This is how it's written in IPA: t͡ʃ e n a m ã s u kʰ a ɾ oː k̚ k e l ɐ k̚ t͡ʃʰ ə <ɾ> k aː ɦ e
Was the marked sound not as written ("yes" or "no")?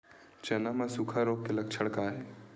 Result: yes